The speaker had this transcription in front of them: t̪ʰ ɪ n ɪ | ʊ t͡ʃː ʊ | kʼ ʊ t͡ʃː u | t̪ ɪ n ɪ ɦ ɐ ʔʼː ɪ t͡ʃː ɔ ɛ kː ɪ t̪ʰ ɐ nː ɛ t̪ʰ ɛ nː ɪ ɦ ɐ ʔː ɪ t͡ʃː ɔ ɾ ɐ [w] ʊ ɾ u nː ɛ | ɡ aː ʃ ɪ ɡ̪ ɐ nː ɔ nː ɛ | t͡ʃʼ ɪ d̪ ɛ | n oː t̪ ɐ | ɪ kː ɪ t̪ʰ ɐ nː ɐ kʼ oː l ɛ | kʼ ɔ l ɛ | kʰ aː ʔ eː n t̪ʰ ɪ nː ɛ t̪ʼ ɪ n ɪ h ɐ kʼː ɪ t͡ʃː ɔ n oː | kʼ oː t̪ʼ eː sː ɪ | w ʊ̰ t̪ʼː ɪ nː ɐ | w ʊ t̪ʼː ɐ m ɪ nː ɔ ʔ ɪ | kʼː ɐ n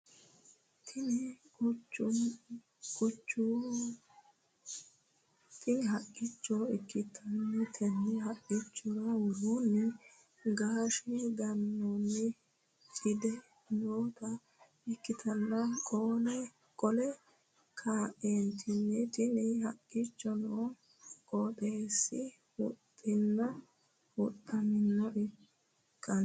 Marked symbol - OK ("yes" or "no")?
yes